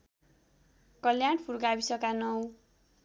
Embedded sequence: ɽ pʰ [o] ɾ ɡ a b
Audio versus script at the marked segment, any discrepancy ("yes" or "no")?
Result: yes